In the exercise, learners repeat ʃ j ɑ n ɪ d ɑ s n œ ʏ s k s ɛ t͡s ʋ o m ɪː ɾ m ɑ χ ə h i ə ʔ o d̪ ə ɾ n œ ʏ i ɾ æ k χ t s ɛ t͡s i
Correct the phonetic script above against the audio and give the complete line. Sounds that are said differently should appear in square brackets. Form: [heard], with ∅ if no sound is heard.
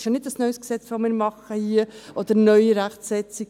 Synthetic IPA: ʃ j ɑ n ɪ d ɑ s n œ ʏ s k s ɛ t͡s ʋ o m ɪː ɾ m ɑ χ ə h i ə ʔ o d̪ ə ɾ n œ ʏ i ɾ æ [∅] χ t s ɛ t͡s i